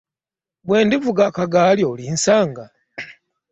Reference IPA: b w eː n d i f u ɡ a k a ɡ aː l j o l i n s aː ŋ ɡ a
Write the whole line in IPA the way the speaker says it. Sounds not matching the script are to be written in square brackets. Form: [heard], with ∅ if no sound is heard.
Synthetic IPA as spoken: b w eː n d i [v] u ɡ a k a ɡ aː l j o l i n s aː ŋ ɡ a